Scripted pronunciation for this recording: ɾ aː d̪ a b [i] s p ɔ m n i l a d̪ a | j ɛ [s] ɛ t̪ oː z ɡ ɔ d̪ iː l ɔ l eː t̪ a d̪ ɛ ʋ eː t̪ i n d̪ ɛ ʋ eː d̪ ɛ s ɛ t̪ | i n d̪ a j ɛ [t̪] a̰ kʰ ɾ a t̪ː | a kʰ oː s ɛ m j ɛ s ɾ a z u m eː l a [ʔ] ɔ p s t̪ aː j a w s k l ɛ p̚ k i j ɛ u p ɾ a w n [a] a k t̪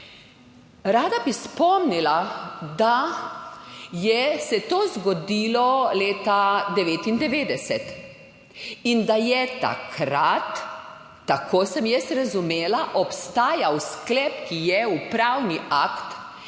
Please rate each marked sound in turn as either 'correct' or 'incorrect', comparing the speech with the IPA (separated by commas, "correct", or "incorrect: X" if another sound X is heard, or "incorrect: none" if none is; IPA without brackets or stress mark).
correct, correct, correct, correct, incorrect: i